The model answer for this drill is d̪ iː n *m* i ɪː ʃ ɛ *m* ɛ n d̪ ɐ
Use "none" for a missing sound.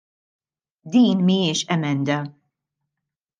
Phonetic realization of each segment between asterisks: m, m

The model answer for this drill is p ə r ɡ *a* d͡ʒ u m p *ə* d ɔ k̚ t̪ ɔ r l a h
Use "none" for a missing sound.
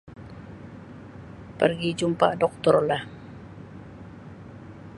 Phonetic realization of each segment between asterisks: i, a

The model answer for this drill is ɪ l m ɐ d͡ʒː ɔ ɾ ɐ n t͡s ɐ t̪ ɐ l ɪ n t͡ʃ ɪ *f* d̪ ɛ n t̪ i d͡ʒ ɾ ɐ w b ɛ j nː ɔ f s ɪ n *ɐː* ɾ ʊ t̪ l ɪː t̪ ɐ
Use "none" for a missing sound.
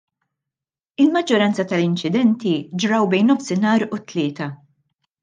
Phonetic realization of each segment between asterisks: none, ɐː

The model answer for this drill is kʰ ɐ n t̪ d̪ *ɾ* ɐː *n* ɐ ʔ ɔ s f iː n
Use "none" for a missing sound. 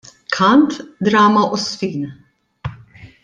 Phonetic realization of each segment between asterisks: ɾ, m

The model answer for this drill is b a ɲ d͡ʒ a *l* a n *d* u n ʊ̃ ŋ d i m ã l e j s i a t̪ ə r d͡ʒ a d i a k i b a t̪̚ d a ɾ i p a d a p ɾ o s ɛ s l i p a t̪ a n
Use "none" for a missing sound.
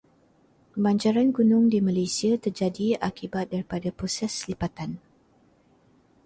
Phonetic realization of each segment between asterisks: ɾ, ɡ

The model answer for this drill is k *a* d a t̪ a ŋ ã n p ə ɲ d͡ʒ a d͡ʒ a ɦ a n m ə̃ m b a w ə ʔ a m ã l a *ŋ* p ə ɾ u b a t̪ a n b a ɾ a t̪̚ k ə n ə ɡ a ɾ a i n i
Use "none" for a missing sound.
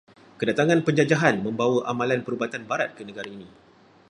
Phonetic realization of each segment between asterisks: ə, n

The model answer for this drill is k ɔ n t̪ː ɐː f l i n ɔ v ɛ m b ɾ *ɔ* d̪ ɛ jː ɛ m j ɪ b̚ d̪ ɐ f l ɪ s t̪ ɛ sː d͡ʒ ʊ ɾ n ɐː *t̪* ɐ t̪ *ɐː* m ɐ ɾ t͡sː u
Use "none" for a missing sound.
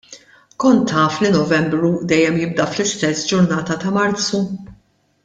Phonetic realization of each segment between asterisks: u, t̪, ɐ

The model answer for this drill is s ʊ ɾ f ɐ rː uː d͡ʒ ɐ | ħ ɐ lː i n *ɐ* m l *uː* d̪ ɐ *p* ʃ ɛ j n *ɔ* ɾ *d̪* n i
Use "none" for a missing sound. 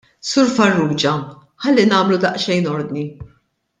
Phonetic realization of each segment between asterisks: ɐː, u, ʔ, ɔ, d̪

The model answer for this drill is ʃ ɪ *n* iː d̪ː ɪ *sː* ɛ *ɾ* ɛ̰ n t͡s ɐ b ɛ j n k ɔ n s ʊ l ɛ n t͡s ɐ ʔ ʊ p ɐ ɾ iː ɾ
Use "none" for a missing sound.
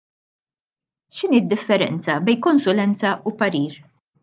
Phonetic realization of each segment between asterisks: n, fː, ɾ

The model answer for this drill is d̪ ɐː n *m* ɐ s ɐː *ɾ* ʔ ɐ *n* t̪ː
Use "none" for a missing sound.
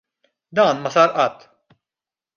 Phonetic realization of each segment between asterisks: m, ɾ, none

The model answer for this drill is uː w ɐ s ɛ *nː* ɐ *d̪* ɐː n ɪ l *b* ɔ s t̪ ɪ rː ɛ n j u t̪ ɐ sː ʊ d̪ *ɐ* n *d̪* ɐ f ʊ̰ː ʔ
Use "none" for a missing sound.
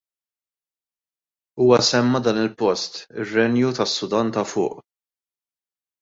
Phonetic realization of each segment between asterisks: mː, d̪, p, ɐ, t̪

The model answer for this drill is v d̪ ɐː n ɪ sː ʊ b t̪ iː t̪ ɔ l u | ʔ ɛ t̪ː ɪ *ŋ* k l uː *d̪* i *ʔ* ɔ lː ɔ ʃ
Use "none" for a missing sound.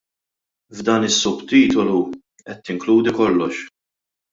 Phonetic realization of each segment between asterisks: ŋ, d̪, k

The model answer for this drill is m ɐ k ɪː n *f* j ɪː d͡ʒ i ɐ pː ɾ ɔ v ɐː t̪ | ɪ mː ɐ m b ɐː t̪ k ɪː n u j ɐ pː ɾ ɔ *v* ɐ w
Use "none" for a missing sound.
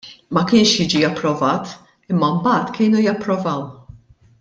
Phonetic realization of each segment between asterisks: ʃ, v

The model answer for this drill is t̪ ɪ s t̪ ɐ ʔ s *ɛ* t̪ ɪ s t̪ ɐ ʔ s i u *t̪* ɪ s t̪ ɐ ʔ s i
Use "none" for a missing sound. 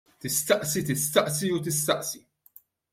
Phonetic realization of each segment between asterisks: i, t̪

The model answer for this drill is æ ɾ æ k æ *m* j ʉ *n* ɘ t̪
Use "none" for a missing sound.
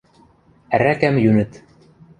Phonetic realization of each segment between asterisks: m, n

